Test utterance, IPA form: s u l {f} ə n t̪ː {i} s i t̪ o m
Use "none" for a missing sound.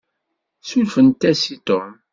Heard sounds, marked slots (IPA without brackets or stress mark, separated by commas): f, æ